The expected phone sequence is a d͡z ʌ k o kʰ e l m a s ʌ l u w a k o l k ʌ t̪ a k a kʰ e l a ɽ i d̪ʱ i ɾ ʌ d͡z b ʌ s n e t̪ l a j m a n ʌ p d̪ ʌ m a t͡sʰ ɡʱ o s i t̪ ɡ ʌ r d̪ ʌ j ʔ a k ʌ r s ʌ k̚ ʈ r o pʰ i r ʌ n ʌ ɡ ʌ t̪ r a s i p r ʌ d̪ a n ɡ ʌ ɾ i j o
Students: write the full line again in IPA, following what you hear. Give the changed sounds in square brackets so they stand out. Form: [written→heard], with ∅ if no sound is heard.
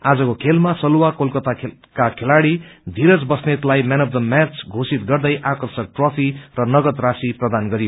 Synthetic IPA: a d͡z ʌ k o kʰ e l m a s ʌ l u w a k o l k ʌ t̪ a k a kʰ e l a ɽ i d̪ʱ i ɾ ʌ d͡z b ʌ s n e t̪ l a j m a n ʌ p d̪ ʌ m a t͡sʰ ɡʱ o s i t̪ ɡ ʌ r d̪ ʌ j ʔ a k ʌ r s ʌ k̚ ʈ r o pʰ i r ʌ n ʌ ɡ ʌ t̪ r a s i p r ʌ d̪ a n ɡ ʌ ɾ i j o